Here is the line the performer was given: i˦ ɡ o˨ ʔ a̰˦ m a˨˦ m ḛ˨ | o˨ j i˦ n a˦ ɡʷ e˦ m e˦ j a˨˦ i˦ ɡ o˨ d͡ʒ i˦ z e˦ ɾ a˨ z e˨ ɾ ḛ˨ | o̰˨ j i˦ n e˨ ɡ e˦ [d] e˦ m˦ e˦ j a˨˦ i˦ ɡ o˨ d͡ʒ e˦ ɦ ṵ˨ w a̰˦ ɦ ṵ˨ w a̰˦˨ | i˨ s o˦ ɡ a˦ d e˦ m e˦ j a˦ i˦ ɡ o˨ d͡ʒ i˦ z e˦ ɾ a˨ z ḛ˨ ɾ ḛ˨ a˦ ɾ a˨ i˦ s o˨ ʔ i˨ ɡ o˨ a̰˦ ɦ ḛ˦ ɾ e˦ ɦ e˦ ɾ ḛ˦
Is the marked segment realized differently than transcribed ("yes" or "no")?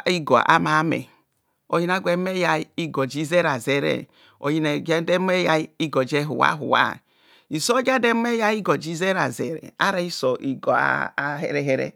no